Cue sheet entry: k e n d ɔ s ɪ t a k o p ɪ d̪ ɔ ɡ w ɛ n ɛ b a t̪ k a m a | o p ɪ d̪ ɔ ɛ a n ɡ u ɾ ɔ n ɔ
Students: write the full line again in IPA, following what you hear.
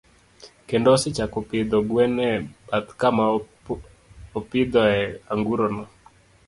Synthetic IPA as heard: k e n d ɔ s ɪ t͡ʃ a k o p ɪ d̪ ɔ ɡ w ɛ n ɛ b a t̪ k a m a | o p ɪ d̪ ɔ ɛ a ŋ ɡ u ɾ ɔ n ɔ